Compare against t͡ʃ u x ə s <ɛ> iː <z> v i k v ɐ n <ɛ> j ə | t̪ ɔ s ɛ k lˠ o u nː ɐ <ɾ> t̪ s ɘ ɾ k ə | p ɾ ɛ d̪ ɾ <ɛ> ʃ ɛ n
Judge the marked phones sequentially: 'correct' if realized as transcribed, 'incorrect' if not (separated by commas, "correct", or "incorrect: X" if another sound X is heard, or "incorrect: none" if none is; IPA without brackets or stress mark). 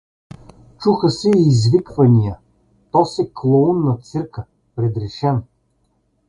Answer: correct, correct, incorrect: i, incorrect: none, correct